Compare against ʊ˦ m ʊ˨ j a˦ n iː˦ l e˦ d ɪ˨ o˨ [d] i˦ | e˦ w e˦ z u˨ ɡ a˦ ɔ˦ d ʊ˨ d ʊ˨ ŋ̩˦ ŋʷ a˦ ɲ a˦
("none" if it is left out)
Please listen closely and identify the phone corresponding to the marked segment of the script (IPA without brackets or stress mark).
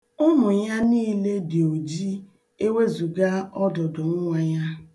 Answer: d͡ʒ